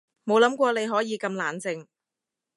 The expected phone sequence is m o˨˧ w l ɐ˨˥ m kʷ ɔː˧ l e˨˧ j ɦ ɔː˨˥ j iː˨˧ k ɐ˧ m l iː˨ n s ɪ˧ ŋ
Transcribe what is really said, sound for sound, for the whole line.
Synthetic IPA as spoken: m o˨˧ w l ɐ˨˥ m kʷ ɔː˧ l e˨˧ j ɦ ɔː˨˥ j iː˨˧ k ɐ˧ m l aː˨ n t͡s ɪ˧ ŋ